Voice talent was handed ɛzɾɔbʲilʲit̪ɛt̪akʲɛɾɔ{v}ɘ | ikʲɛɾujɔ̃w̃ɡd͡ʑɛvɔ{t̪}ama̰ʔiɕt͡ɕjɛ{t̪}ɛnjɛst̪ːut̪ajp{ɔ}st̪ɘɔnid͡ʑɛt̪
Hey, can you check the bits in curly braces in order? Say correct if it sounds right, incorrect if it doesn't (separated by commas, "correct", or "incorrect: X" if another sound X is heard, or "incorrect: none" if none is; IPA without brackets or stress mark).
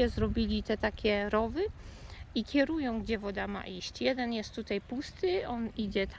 correct, incorrect: d̪, incorrect: d̪, incorrect: u